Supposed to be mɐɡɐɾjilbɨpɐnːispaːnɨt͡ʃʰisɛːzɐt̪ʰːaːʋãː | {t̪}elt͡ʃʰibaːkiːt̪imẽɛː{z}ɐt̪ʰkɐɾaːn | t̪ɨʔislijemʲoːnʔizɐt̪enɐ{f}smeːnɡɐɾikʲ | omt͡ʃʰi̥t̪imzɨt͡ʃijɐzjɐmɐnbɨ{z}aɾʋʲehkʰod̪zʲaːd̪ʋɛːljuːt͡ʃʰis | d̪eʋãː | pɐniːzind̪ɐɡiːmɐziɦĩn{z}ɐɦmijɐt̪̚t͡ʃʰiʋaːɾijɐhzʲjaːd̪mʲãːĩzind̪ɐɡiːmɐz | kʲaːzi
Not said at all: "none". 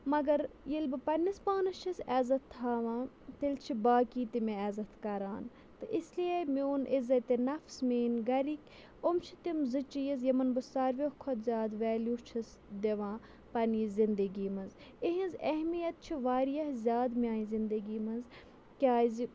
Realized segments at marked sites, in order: t̪, z, f, s, z

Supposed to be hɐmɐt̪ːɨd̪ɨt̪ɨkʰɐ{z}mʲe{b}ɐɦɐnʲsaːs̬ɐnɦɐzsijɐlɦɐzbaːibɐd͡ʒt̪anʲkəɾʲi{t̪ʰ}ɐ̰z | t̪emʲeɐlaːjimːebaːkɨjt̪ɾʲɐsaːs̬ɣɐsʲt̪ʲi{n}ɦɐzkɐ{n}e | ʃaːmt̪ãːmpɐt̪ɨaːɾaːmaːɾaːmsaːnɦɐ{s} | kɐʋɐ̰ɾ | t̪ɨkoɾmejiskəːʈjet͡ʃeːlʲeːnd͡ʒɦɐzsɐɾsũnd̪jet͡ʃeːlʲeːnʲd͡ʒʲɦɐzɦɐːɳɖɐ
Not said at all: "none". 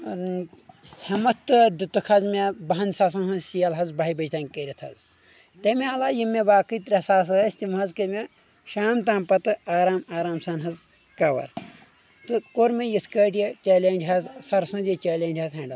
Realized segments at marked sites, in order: z, b, t̪ʰ, m, m, z

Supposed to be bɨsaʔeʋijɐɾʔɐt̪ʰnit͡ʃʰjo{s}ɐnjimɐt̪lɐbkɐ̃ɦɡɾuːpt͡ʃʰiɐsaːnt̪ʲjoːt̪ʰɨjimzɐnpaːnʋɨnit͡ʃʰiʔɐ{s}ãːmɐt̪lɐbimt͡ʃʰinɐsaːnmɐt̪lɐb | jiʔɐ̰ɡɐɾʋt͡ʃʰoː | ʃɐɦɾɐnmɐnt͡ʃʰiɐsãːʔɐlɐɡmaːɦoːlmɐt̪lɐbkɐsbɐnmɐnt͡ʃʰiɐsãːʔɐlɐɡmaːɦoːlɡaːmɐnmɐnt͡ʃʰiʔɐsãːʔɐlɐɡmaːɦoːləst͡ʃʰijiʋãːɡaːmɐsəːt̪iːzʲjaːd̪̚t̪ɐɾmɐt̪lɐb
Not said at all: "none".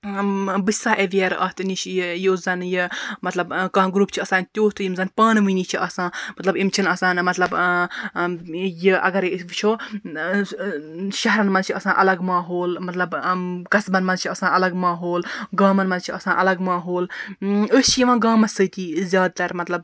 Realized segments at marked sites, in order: z, s

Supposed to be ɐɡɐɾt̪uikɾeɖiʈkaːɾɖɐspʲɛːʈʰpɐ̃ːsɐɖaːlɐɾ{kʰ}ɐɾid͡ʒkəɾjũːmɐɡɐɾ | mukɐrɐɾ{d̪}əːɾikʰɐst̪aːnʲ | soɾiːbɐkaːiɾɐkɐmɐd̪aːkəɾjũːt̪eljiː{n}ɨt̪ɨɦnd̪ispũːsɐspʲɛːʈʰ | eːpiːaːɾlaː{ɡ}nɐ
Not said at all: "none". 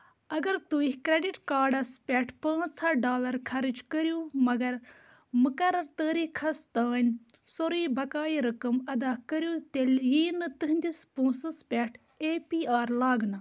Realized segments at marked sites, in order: kʰ, t̪, n, ɡ

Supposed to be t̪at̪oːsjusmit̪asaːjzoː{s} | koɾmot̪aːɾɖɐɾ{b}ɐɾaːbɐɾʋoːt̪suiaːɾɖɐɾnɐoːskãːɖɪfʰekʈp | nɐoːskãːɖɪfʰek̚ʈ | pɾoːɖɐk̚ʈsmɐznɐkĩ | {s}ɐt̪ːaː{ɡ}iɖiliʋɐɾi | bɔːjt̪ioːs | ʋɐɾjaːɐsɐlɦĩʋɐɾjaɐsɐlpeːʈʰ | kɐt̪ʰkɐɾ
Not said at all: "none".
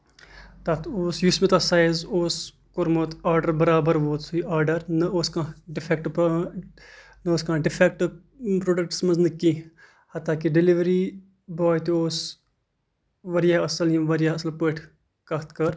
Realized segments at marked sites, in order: s, b, h, k

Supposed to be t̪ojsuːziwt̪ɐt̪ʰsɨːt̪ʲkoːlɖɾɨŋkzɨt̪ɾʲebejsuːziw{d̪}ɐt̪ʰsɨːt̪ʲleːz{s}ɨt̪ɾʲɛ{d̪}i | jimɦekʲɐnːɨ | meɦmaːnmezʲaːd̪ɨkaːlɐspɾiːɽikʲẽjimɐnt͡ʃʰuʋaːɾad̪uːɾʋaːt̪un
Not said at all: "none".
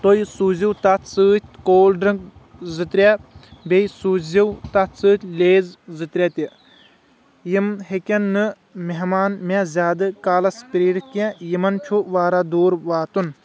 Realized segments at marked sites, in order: t̪, z, t̪

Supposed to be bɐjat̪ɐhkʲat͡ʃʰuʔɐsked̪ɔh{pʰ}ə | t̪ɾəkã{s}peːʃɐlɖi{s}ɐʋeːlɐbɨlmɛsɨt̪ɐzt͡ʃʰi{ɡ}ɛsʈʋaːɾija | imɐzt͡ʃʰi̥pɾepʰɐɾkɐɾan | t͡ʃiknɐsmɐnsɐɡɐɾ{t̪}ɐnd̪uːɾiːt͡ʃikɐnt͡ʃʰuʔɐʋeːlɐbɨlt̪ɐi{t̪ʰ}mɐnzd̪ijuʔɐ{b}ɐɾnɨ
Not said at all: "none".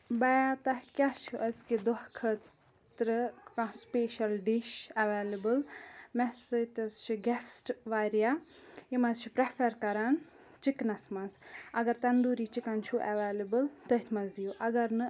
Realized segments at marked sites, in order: kʰ, s, ʃ, ɡ, t̪, t̪ʰ, ɡ

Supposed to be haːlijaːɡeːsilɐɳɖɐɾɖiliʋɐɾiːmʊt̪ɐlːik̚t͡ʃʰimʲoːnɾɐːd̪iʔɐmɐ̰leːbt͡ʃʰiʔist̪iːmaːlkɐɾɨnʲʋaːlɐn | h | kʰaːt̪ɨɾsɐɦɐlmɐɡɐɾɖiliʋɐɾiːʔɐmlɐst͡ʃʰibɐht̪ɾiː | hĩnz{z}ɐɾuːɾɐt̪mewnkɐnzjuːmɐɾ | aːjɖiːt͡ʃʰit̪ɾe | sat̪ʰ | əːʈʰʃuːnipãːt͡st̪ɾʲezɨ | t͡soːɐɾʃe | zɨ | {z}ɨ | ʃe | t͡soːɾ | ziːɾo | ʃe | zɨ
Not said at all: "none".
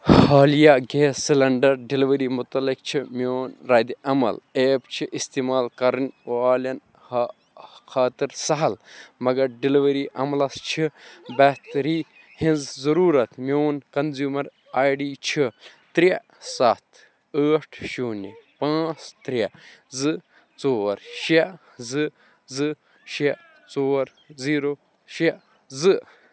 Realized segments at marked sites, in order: z, z

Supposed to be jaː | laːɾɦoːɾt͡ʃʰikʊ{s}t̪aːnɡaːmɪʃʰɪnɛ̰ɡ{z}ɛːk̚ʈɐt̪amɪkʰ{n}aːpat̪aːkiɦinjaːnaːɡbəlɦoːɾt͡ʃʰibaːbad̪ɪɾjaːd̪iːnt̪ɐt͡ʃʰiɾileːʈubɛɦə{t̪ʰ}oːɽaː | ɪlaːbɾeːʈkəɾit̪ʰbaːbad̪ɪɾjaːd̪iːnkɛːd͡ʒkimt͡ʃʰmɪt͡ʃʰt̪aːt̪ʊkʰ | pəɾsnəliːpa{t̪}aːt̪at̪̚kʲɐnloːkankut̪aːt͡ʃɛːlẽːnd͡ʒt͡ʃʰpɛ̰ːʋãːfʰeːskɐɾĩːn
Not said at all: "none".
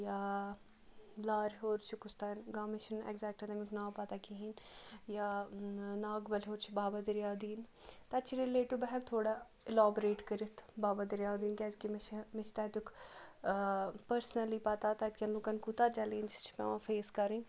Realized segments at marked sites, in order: s, z, n, t̪ʰ, t̪

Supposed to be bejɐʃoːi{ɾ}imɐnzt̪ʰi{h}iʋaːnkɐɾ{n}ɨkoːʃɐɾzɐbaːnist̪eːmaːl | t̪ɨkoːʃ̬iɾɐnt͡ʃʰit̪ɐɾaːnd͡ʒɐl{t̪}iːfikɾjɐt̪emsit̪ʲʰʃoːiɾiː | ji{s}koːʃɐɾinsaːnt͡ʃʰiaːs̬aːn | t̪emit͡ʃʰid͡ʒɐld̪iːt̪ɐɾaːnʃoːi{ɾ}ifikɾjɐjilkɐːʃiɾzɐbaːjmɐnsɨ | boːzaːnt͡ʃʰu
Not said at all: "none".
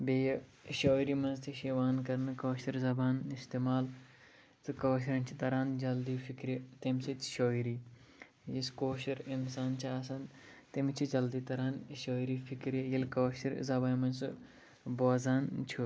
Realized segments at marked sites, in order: ɾ, ʃ, n, d̪, s, ɾ

